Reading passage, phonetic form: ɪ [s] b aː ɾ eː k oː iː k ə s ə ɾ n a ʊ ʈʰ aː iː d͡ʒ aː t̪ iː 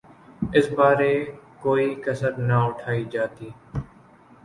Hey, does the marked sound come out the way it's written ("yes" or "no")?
yes